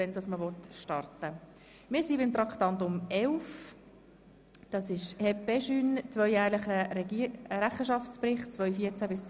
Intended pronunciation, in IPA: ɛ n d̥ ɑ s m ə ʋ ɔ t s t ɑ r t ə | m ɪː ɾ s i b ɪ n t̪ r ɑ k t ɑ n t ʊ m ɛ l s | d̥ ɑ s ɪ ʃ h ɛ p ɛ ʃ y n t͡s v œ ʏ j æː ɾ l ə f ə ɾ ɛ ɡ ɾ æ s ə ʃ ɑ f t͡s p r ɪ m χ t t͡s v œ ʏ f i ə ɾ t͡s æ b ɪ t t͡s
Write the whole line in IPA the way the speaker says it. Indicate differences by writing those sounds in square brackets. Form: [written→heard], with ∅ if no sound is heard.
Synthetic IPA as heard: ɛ n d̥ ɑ s m ə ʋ ɔ t [s→ʃ] t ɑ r t ə | m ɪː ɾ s i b ɪ [n→m] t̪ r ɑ k t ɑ n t ʊ m ɛ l [s→f] | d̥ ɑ s ɪ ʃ h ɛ p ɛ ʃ y n t͡s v œ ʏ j æː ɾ l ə [f→χ] ə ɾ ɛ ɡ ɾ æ [s→χ] ə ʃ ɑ f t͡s p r ɪ [m→∅] χ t t͡s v œ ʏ f i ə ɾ t͡s æ b ɪ [t→s] t͡s